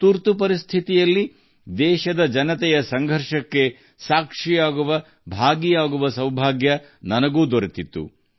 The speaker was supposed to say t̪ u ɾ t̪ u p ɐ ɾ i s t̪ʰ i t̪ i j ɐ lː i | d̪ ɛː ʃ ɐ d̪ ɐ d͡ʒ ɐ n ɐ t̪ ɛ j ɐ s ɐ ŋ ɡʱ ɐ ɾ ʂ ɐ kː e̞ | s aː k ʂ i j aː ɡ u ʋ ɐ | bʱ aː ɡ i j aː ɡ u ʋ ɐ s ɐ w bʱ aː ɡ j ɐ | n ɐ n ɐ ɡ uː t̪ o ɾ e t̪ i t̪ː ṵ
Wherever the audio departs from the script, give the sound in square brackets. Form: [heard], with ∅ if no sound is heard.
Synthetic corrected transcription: t̪ u ɾ t̪ u p ɐ ɾ i s t̪ʰ i t̪ i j ɐ lː i | d̪ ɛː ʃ ɐ d̪ ɐ d͡ʒ ɐ n ɐ t̪ ɛ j ɐ s ɐ ŋ ɡʱ ɐ ɾ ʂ ɐ kː e̞ | s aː k ʂ i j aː ɡ u ʋ ɐ | bʱ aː ɡ i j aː ɡ u ʋ ɐ s ɐ w bʱ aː ɡ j ɐ | n ɐ n ɐ ɡ uː [d̪] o ɾ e t̪ i t̪ː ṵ